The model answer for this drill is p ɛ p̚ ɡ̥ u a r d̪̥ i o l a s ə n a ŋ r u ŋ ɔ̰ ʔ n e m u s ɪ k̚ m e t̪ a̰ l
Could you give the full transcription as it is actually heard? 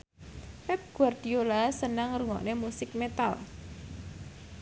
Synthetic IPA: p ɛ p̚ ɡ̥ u a r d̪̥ i o l a s ə n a ŋ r u ŋ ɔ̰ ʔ n e m u s ɪ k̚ m e t̪ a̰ l